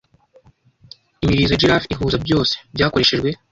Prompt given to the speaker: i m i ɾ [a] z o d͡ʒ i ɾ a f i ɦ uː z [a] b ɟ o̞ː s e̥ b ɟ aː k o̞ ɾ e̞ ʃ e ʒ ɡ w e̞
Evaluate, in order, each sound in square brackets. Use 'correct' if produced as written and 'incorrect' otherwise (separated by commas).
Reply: incorrect, correct